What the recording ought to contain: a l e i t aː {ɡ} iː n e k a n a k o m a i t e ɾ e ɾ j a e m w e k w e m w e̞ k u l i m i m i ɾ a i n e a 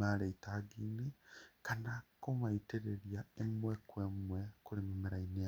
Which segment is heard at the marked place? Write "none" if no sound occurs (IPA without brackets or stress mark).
ɡ